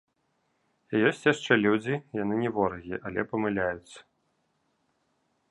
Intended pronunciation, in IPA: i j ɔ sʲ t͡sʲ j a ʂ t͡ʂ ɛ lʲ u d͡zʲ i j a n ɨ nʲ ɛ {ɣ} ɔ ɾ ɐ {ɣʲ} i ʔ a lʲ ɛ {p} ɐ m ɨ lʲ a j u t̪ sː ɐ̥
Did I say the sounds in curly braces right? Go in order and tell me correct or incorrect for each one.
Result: incorrect, correct, correct

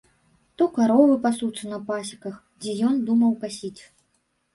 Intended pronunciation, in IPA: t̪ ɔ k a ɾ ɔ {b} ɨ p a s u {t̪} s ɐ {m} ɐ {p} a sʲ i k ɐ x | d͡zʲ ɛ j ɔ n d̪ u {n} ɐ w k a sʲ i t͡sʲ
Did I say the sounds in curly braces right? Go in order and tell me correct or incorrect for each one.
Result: incorrect, correct, incorrect, correct, incorrect

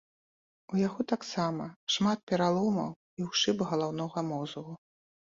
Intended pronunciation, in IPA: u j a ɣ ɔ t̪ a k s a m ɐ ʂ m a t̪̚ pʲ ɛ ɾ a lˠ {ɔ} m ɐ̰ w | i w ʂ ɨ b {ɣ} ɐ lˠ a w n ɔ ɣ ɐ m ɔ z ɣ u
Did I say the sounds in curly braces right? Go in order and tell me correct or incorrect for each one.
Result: correct, correct

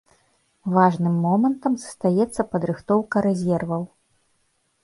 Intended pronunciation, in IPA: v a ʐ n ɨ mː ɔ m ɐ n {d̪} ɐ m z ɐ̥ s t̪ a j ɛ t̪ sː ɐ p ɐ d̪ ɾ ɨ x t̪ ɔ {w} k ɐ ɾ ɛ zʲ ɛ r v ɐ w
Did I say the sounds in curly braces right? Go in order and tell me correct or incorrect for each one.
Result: incorrect, correct

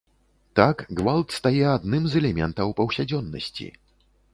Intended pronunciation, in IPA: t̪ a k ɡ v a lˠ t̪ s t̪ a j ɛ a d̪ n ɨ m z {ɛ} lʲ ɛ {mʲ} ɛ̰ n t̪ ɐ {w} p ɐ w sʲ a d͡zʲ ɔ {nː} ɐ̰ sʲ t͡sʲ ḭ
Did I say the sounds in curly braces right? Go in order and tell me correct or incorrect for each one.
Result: correct, correct, correct, correct

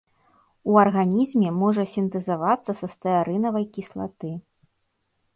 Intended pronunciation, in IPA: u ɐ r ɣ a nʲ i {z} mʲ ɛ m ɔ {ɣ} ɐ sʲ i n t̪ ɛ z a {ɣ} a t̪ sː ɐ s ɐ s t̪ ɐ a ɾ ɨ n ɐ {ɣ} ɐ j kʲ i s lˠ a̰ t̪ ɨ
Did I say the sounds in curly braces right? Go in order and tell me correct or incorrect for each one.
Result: correct, incorrect, incorrect, incorrect

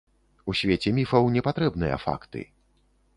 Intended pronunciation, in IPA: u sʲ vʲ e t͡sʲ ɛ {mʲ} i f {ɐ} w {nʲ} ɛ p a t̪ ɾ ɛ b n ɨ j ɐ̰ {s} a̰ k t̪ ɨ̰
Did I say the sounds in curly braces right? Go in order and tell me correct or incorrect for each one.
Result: correct, correct, correct, incorrect

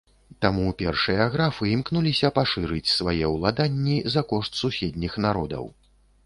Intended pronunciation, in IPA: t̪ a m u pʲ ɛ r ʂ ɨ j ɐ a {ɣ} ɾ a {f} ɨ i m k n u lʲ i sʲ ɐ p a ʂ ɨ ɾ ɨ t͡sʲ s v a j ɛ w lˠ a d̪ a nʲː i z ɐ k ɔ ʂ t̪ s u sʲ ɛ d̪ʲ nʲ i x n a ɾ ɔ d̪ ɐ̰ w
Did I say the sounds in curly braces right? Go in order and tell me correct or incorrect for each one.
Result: correct, correct

